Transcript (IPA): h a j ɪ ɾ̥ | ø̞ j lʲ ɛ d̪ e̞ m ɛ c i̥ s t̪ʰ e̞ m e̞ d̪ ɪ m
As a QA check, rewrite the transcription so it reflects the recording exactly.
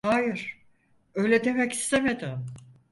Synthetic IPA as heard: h a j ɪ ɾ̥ | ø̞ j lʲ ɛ d̪ e̞ m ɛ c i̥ s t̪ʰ e̞ m e̞ d̪ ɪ m

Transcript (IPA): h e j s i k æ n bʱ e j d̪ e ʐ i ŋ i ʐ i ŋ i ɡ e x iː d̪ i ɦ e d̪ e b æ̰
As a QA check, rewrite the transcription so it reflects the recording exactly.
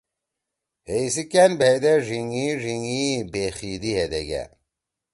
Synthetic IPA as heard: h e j s i k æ n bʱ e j d̪ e ʐ i ŋ i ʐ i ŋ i b e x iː d̪ i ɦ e d̪ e ɡ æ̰

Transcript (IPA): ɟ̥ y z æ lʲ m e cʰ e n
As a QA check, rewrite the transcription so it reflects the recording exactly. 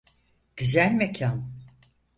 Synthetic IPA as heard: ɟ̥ y z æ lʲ m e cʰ a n

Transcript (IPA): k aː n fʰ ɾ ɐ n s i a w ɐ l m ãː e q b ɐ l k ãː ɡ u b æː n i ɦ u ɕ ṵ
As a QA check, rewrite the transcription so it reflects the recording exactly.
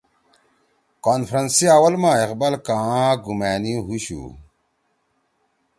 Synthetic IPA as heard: k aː n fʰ ɾ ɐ n s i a w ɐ l m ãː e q b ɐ l k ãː ɡ u m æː n i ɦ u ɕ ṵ

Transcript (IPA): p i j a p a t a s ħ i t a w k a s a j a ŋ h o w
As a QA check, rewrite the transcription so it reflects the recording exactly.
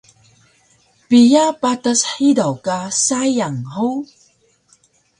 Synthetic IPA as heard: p i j a p a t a s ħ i d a w k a s a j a ŋ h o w

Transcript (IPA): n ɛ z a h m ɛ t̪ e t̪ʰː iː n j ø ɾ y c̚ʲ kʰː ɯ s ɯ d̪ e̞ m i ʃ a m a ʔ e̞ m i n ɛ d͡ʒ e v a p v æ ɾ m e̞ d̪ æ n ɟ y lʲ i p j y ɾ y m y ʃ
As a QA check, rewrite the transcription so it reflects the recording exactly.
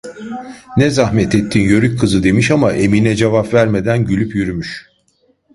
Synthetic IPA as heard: n ɛ z a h m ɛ t̪ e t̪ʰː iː n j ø ɾ y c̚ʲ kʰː ɯ z ɯ d̪ e̞ m i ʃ a m a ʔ e̞ m i n ɛ d͡ʒ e v a p v æ ɾ m e̞ d̪ æ n ɟ y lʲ y p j y ɾ y m y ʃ

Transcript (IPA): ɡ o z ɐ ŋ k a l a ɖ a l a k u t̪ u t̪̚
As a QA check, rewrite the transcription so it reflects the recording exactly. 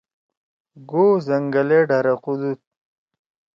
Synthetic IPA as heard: ɡ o z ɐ ŋ ɡ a l e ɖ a ɾ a q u d̪ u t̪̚

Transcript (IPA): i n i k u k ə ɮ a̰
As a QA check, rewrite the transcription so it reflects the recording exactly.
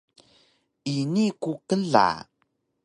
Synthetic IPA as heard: i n i k u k ə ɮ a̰

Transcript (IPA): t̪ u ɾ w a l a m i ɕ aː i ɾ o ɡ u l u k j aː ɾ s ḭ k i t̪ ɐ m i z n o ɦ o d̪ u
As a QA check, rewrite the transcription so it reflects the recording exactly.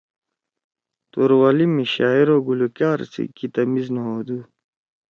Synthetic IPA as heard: t̪ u ɾ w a l i m i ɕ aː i ɾ o ɡ u l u k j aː ɾ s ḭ k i t̪ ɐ m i z n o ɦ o d̪ u

